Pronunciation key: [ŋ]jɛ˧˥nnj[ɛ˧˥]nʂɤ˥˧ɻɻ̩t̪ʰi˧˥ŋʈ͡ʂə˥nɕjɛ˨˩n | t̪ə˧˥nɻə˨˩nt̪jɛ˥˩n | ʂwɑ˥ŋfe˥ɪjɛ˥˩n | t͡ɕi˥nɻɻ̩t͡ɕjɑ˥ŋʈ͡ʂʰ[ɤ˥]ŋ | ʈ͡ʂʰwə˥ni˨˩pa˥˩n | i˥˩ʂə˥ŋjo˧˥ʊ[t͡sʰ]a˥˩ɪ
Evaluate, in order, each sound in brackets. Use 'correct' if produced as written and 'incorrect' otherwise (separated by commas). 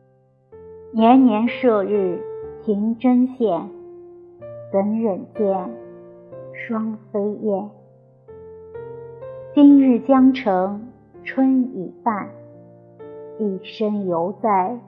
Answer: incorrect, correct, incorrect, incorrect